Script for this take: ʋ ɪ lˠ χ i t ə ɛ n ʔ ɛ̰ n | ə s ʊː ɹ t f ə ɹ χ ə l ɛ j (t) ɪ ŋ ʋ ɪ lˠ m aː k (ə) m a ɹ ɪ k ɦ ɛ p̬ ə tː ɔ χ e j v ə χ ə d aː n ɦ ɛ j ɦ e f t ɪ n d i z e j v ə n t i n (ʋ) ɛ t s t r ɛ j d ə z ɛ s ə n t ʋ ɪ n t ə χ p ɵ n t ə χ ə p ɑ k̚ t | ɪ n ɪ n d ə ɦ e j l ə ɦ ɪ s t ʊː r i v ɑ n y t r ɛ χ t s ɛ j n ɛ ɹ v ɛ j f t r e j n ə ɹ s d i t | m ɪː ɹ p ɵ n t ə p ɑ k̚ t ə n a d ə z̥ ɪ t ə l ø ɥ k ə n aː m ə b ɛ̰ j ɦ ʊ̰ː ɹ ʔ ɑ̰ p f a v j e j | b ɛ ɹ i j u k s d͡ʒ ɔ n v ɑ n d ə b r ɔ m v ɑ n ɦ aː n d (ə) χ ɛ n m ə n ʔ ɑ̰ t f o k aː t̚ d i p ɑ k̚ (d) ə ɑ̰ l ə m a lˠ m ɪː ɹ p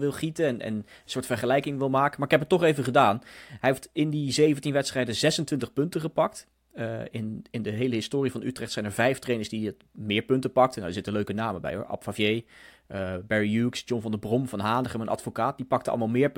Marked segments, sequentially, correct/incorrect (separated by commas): incorrect, correct, correct, correct, incorrect